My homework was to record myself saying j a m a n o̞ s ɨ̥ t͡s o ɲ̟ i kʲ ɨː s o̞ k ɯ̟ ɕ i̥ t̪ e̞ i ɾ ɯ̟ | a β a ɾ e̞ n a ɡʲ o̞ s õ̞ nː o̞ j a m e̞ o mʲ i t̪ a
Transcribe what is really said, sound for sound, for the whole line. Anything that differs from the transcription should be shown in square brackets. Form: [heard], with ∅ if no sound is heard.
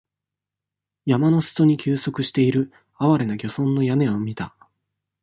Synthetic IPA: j a m a n o̞ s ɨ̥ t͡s o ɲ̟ i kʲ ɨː s o̞ k ɯ̟ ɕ i̥ t̪ e̞ i ɾ ɯ̟ | a β a ɾ e̞ n a ɡʲ o̞ s õ̞ nː o̞ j a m e̞ o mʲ i t̪ a